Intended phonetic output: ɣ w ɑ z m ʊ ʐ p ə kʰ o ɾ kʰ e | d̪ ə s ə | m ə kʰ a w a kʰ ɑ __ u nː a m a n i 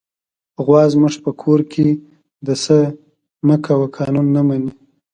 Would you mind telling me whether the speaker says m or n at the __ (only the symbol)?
n